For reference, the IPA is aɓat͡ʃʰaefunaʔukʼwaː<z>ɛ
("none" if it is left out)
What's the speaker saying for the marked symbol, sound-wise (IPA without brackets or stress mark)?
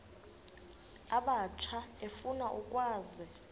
z